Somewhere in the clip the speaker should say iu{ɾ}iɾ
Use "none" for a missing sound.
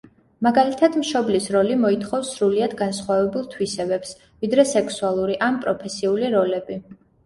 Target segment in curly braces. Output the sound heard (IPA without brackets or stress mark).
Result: l